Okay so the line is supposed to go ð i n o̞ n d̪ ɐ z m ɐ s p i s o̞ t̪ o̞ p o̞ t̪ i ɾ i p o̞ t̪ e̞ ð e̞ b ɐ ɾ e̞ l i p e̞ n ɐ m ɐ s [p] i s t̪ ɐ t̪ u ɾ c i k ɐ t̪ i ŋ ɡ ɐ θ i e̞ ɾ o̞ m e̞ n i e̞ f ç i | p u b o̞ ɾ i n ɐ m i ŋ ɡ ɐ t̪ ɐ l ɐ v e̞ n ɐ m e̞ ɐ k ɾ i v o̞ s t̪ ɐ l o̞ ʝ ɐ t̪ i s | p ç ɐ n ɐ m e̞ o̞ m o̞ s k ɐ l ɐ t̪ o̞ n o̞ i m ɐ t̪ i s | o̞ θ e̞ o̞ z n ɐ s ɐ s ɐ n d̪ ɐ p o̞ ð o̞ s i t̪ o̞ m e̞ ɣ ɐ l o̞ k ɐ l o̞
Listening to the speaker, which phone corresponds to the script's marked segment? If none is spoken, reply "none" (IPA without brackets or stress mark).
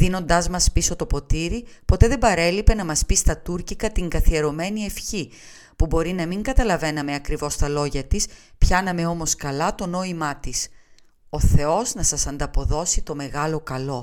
p